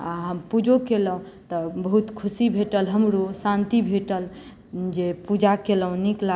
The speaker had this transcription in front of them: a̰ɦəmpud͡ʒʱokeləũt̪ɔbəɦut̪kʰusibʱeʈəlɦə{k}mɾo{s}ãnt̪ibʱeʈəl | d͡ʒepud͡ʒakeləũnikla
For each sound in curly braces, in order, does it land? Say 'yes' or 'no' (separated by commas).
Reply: no, yes